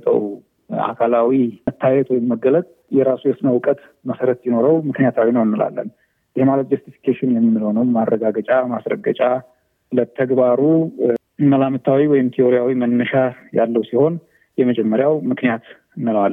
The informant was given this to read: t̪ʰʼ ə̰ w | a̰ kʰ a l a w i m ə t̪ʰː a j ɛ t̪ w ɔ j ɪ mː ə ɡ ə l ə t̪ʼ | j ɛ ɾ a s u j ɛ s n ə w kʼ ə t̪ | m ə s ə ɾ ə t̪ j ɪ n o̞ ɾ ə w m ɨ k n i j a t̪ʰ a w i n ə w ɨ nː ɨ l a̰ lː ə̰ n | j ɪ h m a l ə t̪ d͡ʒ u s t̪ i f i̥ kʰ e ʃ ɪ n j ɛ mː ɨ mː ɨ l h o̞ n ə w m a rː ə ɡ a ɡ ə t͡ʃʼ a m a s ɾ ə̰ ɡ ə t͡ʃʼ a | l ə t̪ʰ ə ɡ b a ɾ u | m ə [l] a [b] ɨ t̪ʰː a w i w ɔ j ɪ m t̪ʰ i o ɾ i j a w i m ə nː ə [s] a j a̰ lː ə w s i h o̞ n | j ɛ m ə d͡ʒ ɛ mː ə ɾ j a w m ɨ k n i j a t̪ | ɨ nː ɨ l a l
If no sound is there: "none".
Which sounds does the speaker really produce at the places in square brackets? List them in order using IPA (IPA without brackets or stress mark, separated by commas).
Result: l, m, ʃ